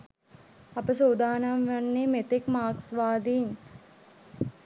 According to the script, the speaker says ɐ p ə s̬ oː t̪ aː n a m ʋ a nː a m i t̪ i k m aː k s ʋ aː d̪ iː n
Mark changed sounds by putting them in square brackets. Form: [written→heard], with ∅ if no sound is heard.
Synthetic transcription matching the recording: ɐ p ə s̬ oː [t̪→d̪] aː n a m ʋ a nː [a→e] m [i→e] t̪ [i→e] k m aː k s ʋ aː d̪ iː n